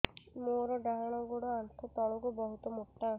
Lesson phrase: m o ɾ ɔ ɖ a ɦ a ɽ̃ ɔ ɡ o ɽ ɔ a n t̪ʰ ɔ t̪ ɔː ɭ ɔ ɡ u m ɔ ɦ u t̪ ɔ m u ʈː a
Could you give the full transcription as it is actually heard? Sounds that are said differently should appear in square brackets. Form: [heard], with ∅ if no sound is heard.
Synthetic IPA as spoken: m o ɾ ɔ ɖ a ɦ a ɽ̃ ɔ ɡ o ɽ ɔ a n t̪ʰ ɔ t̪ [ɔ] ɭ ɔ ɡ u [b] ɔ ɦ u t̪ ɔ m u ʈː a